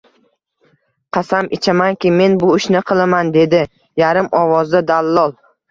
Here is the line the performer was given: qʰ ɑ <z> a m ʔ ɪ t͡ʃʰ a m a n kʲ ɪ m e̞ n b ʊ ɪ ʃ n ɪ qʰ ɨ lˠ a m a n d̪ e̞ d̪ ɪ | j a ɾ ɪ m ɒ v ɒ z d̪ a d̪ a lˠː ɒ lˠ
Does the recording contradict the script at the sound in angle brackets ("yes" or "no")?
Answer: yes